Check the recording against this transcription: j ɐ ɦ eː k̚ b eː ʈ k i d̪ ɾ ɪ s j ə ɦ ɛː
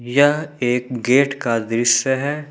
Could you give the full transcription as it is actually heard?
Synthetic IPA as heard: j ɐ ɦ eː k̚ ɡ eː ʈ k a d̪ ɾ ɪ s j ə ɦ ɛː